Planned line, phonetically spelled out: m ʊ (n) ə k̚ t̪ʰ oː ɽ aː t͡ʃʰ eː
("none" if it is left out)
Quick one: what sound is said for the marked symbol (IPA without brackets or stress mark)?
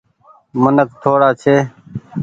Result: n